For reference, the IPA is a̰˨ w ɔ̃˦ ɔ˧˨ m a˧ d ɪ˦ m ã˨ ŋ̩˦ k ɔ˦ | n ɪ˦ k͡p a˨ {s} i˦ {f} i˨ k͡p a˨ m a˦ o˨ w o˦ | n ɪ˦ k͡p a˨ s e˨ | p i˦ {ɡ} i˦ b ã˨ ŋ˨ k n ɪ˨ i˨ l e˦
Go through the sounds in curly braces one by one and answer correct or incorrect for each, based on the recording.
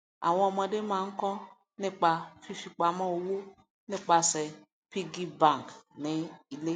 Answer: incorrect: f, correct, correct

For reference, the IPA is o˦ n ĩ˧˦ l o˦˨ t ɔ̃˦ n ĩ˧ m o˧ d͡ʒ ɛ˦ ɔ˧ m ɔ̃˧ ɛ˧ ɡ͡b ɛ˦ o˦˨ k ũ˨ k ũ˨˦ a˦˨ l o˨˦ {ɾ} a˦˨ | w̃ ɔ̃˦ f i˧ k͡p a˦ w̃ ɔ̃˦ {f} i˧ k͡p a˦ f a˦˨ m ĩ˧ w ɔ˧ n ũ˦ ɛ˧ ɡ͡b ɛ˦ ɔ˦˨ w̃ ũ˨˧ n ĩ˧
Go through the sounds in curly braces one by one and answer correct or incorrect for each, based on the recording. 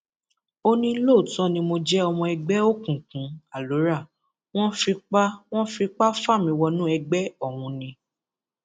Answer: correct, correct

